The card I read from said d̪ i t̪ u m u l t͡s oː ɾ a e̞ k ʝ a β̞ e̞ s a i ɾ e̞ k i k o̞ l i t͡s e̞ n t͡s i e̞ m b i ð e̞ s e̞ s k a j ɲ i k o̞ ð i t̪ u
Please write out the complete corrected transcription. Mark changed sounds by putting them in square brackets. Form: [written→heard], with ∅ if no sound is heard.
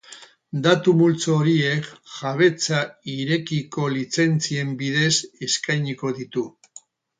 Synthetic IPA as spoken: d̪ [i→a] t̪ u m u l t͡s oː ɾ [a→i] e̞ k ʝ a β̞ e̞ [s→t͡s] a i ɾ e̞ k i k o̞ l i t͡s e̞ n t͡s i e̞ m b i ð e̞ s e̞ s k a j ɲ i k o̞ ð i t̪ u